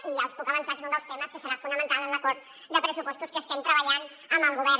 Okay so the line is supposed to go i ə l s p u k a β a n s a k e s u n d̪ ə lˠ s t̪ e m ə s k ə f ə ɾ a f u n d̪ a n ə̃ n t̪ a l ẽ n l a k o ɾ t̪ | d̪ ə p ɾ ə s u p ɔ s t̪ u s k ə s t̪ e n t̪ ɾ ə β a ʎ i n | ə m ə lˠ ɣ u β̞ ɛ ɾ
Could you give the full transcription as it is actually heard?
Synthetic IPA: i a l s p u k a β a n s a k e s u n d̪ ə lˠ s t̪ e m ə s k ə s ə ɾ a f u n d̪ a m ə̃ n t̪ a l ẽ n l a k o ɾ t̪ | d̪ ə p ɾ ə s u p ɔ s t̪ u s k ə s t̪ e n t̪ ɾ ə β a ʎ a n | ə m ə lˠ ɣ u β̞ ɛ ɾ